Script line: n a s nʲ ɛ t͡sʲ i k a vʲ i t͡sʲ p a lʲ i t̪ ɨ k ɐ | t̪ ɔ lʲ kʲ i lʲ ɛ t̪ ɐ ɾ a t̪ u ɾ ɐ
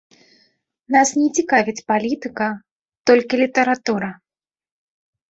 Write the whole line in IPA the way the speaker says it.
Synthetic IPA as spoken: n a s nʲ ɛ t͡sʲ i k a vʲ i t͡sʲ p a lʲ i t̪ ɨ k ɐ | t̪ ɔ lʲ kʲ i lʲ i t̪ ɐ ɾ a t̪ u ɾ ɐ